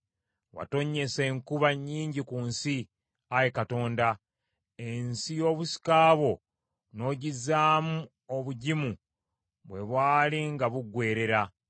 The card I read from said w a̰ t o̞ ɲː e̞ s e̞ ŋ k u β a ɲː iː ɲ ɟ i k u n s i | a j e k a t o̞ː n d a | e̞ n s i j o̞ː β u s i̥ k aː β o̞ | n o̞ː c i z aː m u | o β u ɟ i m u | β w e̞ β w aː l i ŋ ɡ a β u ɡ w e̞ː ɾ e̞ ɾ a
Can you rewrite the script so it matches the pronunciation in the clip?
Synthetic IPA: w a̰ t o̞ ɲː e̞ s e̞ ŋ k u β a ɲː iː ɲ ɟ i k u n s i | a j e k a t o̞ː n d a | e̞ n s i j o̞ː β u s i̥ k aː β o̞ | n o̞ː ɟ i z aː m u | o β u ɟ i m u | β w e̞ β w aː l i ŋ ɡ a β u ɡ w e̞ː ɾ e̞ ɾ a